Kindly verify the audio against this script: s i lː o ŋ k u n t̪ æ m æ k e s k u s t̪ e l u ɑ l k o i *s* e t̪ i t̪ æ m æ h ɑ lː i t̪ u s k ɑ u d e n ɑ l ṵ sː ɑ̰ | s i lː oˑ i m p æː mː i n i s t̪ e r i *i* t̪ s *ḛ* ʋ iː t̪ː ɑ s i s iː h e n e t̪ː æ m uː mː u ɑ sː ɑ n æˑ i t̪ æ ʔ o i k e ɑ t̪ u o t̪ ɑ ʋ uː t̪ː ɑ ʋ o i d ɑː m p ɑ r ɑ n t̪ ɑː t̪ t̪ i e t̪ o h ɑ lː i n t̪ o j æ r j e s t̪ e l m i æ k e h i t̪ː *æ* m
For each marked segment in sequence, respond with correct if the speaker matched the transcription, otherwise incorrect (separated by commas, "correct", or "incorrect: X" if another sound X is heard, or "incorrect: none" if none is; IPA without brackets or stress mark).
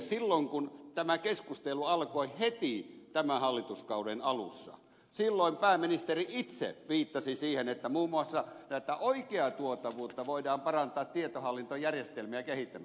incorrect: h, correct, correct, correct